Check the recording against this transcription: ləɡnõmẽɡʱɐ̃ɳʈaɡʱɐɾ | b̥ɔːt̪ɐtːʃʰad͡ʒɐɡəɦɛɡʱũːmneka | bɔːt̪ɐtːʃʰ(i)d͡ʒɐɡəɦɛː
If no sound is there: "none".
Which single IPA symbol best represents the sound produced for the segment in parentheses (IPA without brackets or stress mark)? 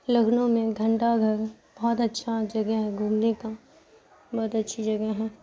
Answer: i